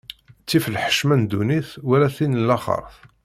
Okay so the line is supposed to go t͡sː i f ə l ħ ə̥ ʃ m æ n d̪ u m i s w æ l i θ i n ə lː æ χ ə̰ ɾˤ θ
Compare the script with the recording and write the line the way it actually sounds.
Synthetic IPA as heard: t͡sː i f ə l ħ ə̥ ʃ m æ n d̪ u n i θ w æ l æ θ i n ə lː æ χ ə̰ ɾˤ θ